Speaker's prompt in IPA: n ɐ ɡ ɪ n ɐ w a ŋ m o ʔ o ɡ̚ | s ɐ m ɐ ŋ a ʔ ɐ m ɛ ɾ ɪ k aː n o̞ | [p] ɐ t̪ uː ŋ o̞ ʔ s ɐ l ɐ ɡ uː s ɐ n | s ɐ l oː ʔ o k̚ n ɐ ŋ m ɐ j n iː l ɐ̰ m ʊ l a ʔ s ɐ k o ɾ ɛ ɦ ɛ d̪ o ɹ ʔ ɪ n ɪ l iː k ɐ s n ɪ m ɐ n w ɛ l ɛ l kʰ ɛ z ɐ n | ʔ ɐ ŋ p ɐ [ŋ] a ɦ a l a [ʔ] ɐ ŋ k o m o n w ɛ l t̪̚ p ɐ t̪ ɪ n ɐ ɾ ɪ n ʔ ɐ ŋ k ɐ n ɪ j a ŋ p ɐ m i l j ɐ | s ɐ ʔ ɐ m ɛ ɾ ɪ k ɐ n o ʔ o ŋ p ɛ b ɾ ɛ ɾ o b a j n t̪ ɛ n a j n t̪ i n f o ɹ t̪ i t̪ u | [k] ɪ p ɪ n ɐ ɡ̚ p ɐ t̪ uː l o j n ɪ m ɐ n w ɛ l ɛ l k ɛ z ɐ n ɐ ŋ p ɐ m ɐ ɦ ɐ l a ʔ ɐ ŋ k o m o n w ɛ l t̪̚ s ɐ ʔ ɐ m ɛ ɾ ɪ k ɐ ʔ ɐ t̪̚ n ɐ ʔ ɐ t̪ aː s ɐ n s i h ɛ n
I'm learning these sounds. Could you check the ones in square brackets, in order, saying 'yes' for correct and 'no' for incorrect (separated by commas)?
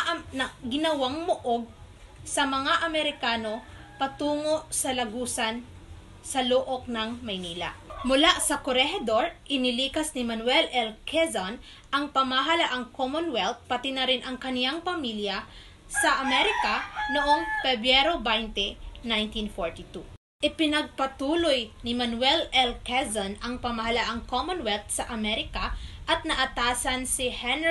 yes, no, yes, no